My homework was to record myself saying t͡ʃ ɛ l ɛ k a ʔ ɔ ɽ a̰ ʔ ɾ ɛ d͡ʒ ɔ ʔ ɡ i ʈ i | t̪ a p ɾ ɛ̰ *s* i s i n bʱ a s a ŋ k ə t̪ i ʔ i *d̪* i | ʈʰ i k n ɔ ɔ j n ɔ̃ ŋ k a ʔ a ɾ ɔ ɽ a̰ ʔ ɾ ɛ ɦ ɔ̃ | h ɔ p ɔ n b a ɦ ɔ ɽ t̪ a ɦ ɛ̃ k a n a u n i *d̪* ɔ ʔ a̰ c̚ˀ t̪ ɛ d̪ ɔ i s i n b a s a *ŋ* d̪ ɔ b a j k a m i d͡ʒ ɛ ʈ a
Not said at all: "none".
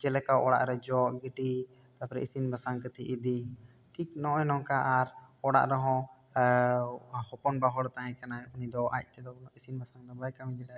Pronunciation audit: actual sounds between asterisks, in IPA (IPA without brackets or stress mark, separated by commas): none, d̪, d̪, ŋ